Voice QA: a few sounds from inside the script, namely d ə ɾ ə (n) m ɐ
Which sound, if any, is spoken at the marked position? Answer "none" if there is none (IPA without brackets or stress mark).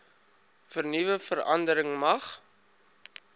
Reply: ŋ